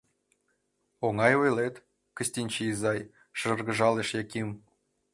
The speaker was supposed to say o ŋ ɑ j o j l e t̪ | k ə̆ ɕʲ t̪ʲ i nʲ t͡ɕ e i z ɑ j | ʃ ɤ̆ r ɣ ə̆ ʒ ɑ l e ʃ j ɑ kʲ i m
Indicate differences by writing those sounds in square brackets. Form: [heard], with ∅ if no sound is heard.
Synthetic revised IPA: o ŋ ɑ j o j l e t̪ | k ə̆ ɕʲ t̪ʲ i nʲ t͡ɕ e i z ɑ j | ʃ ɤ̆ r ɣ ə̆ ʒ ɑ l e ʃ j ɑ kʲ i m